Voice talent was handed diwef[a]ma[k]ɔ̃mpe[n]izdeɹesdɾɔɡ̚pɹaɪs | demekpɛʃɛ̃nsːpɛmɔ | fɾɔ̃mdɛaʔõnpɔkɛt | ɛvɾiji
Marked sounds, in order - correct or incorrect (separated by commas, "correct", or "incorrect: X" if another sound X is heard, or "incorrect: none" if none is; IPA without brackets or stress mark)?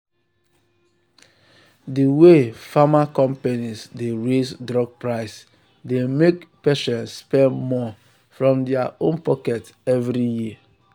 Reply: correct, correct, correct